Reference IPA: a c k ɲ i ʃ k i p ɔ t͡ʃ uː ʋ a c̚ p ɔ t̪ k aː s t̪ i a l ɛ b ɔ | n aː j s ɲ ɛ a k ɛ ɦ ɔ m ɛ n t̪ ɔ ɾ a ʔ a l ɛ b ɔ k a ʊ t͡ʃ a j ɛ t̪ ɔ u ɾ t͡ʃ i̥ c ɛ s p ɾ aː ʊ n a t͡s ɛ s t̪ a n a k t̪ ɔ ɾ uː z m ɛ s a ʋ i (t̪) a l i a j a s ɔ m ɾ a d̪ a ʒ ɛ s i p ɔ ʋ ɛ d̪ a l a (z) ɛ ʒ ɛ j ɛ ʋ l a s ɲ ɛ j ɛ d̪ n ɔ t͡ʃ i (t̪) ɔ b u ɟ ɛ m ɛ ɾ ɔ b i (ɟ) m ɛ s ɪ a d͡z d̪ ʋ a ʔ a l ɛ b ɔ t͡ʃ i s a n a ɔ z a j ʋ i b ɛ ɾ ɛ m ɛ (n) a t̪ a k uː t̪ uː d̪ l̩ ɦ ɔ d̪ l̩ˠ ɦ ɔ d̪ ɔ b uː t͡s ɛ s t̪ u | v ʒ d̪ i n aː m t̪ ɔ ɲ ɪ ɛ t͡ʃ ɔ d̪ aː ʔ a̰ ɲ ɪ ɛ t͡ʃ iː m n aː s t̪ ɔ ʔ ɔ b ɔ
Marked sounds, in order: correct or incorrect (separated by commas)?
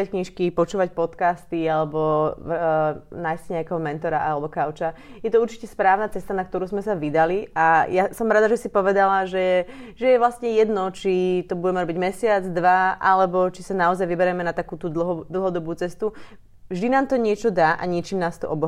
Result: incorrect, incorrect, correct, correct, correct